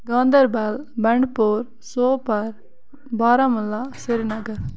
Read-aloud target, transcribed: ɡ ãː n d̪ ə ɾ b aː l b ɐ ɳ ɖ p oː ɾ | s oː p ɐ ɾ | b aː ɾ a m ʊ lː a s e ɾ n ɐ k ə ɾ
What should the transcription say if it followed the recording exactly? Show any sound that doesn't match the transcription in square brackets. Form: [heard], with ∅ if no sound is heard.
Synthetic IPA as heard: ɡ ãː n d̪ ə ɾ b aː l b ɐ ɳ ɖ p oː ɾ | s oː p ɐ ɾ | b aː ɾ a m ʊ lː a s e ɾ n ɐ [ɡ] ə ɾ

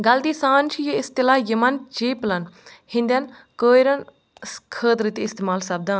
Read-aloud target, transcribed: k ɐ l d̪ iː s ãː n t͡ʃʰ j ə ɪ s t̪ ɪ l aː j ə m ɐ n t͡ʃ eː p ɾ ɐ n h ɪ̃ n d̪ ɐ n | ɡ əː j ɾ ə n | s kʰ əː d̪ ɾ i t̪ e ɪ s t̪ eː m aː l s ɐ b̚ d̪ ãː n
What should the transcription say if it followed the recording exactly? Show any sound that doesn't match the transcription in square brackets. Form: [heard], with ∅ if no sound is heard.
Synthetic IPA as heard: [ɡ] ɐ l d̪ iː s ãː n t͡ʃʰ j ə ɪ s t̪ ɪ l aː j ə m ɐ n t͡ʃ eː p [l] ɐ n h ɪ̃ n d̪ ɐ n | [k] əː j ɾ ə n | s kʰ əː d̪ ɾ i t̪ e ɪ s t̪ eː m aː l s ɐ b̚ d̪ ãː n

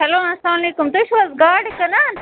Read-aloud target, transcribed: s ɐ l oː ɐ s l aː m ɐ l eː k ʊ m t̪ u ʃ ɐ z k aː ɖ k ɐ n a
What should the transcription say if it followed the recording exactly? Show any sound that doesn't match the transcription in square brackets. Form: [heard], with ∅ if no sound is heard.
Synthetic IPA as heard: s ɐ l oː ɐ s l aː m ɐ l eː k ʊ m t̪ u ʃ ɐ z [ɡ] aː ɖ k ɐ n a

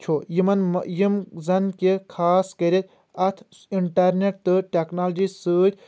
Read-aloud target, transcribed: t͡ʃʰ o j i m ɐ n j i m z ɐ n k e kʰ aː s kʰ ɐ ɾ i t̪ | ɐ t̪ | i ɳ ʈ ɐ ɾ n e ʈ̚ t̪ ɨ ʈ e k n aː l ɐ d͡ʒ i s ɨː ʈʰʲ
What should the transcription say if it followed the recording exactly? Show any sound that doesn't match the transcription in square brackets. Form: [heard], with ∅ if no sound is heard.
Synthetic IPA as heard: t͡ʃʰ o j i m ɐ n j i m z ɐ n k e kʰ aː s [k] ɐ ɾ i t̪ | ɐ [t̪ʰ] | i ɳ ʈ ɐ ɾ n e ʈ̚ t̪ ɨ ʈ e k n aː l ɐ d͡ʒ i s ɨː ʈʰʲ

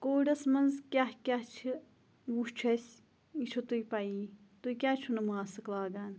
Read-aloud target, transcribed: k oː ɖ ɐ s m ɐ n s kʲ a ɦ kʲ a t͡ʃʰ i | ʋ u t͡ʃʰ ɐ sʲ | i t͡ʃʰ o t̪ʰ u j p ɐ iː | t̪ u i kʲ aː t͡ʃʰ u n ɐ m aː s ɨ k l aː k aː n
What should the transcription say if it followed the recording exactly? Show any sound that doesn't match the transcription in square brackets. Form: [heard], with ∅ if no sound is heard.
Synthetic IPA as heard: k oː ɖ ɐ s m ɐ n [z] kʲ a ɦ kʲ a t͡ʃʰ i | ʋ u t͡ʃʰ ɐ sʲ | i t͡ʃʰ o [t̪] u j p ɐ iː | t̪ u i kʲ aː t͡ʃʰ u n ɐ m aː s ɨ k l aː [ɡ] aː n

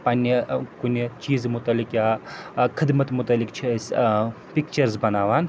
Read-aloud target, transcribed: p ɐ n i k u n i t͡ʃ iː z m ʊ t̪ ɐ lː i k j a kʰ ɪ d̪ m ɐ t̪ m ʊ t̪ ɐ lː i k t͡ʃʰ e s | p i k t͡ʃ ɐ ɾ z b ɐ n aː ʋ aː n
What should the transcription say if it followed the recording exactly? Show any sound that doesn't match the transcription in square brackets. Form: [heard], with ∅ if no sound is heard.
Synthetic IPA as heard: p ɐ n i k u n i t͡ʃ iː z m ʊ t̪ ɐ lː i k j a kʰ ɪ d̪ m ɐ t̪ m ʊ t̪ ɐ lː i k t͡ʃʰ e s | p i k t͡ʃ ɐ ɾ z b ɐ n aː ʋ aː n

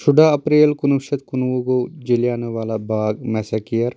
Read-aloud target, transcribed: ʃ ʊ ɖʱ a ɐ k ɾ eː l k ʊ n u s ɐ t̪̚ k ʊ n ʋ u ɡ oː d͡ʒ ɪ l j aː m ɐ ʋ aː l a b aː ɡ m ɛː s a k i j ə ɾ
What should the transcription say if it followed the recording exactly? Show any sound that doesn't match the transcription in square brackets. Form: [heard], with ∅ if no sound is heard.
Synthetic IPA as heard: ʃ ʊ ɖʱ a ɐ [p] ɾ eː l k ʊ n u [ʃ] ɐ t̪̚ k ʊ n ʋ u ɡ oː d͡ʒ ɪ l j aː [n] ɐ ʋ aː l a b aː ɡ m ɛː s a k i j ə ɾ

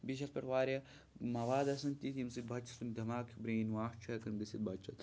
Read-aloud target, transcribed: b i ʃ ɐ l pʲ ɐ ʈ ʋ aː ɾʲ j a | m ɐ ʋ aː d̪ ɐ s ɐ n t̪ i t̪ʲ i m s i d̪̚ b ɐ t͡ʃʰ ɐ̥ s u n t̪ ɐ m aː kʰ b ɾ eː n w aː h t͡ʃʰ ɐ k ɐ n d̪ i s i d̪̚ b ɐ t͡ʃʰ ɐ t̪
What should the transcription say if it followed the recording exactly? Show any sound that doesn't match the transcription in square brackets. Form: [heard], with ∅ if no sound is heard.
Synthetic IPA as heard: b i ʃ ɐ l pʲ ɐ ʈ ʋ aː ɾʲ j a | m ɐ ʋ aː d̪ ɐ s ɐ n t̪ i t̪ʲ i m s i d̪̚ b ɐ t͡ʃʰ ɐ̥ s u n [d̪] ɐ m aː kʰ b ɾ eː n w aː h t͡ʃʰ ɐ k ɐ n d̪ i s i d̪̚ b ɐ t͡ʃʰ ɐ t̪

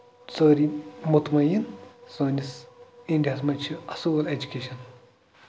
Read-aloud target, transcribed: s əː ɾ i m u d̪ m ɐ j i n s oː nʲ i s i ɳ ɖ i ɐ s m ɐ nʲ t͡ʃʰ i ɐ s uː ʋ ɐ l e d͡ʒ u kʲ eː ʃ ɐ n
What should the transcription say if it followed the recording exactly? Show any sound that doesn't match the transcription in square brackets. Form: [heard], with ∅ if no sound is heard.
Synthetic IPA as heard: [t͡s] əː ɾ i m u [t̪] m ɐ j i n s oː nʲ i s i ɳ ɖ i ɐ s m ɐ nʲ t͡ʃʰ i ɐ s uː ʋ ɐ l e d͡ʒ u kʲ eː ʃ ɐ n

